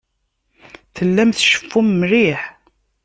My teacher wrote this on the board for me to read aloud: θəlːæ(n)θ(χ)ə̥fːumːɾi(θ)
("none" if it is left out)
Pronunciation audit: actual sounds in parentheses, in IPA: m, ʃ, ħ

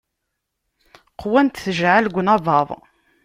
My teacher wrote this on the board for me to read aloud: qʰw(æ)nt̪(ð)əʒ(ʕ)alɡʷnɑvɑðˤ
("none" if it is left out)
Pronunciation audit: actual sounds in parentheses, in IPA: æ, θ, ʕ

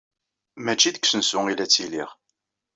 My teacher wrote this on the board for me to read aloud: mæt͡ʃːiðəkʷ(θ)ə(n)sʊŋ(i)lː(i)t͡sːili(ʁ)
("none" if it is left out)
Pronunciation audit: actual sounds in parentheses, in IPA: s, n, i, æ, ʁ

